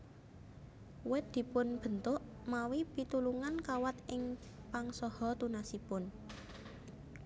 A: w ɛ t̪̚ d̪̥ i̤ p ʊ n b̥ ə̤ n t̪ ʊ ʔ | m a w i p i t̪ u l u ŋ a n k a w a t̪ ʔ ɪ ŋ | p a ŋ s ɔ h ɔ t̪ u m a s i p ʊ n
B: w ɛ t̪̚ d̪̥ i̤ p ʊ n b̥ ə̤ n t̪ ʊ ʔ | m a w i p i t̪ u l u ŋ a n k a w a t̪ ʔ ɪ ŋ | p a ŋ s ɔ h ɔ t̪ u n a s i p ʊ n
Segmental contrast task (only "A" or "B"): B